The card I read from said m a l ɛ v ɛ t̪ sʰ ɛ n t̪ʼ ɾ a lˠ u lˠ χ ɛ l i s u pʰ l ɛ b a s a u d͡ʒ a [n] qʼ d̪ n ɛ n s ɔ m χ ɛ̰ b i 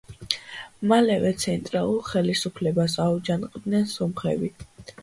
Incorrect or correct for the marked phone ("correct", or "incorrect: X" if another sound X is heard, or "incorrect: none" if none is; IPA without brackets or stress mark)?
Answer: correct